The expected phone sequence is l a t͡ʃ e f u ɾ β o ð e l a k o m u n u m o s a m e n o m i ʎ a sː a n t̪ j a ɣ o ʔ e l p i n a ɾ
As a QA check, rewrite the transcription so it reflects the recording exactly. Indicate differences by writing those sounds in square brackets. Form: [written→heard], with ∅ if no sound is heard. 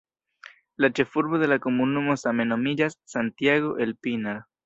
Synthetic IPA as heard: l a t͡ʃ e f u ɾ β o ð e l a k o m u n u m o s a m e n o m i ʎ a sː a n t̪ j a ɣ o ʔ e l p i n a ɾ